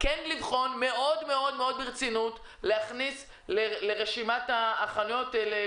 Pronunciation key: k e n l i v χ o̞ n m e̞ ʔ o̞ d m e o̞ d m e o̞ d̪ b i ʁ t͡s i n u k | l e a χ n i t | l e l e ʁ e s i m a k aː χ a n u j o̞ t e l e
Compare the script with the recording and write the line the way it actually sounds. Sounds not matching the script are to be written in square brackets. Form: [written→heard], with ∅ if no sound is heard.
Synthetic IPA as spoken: k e n l i v χ o̞ n m e̞ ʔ o̞ d m e o̞ d m e o̞ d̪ b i ʁ t͡s i n u [k→t] | l e a χ n i [t→s] | l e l e ʁ e [s→ʃ] i m a [k→t] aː χ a n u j o̞ t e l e

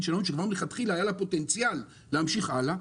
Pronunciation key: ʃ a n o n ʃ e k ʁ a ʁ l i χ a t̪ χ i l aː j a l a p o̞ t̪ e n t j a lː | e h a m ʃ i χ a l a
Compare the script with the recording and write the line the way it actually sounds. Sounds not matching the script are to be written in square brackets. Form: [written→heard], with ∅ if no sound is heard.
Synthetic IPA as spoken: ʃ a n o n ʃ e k [ʁ→v] a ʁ l [i→e] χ a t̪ χ i l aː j a l a p o̞ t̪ e n [t→t͡s] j a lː | e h a m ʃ i χ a l a

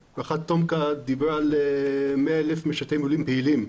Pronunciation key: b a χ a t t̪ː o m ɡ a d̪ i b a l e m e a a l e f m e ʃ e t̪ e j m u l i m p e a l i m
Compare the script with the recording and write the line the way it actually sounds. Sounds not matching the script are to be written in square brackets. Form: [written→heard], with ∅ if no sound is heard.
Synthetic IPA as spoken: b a χ a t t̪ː o m [ɡ→k] a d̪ i b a l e m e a [a→e] l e f m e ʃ [e→a] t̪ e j m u l i m p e [a→i] l i m

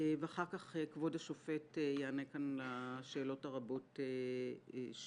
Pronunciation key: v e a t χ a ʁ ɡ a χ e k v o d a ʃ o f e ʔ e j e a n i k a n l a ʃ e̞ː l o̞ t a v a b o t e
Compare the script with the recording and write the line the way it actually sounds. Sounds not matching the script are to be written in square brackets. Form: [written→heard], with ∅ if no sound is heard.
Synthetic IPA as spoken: v e a [t→∅] χ a ʁ [ɡ→k] a χ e k v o d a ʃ o f e [ʔ→t] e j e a n [i→e] k a n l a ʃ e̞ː l o̞ t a [v→ʁ] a b o t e

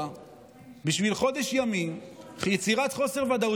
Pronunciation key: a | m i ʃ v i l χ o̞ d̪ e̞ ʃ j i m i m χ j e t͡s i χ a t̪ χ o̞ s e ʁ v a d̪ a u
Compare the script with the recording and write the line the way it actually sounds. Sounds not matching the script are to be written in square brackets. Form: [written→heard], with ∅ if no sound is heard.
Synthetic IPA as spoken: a | [m→b] i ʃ v i l χ o̞ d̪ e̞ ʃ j [i→a] m i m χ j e t͡s i [χ→ʁ] a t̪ χ o̞ s e ʁ v a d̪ a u

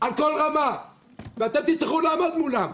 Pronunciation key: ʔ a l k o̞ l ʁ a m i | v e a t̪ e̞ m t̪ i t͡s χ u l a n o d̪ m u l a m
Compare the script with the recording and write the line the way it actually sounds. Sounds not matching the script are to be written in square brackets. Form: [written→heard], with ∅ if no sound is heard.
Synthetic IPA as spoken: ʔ a l k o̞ l ʁ a m [i→a] | v e a t̪ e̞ m t̪ i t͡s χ u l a [n→m] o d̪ m u l a m

